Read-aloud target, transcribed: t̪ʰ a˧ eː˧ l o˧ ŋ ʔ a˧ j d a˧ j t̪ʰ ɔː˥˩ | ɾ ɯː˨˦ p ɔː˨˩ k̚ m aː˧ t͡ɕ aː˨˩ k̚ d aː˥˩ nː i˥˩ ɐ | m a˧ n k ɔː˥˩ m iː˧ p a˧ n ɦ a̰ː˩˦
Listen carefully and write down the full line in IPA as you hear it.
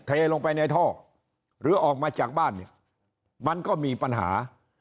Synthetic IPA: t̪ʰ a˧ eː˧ l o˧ ŋ p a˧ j n a˧ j t̪ʰ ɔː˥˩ | ɾ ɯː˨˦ ʔ ɔː˨˩ k̚ m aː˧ t͡ɕ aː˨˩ k̚ b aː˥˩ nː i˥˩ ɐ | m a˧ n k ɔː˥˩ m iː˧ p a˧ n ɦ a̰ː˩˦